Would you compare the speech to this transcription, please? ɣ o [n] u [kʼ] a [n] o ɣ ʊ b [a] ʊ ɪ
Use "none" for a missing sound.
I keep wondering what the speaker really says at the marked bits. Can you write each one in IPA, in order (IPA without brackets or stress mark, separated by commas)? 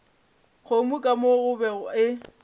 m, kʼ, m, ɛ